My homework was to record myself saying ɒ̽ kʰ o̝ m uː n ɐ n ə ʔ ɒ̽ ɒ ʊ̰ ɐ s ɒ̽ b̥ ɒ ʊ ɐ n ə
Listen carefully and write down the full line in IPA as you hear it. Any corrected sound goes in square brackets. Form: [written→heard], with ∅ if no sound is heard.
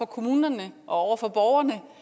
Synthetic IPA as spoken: ɒ̽ kʰ o̝ m uː n ɐ n ə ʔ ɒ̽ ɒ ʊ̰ ɐ [s→f] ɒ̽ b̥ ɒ ʊ ɐ n ə